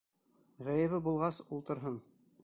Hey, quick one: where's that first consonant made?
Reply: uvula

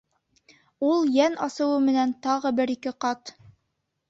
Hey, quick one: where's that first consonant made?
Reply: tongue tip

